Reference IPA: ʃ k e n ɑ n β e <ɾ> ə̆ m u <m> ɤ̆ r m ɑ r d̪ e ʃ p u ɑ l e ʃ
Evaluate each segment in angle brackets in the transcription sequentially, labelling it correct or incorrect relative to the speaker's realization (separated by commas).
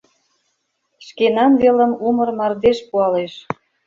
incorrect, correct